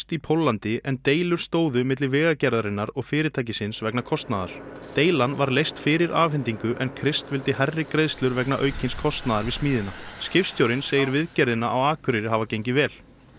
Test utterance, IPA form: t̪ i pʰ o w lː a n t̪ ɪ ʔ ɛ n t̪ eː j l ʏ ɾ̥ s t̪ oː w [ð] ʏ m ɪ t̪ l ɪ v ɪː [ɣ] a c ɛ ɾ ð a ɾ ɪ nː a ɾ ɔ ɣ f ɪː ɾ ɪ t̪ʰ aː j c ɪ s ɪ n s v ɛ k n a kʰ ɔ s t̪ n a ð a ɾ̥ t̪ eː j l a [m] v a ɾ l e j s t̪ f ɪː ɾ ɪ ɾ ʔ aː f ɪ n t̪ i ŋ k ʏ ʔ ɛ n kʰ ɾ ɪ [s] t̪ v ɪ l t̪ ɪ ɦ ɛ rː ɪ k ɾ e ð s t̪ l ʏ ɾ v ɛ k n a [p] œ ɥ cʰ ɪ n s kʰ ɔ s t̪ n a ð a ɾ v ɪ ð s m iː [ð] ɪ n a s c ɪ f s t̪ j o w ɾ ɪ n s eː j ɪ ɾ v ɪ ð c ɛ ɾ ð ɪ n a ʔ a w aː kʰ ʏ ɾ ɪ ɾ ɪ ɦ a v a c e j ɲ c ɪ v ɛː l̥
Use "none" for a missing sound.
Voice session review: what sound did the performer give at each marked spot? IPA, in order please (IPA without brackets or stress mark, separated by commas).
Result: ð, ɣ, n, s, ʔ, ð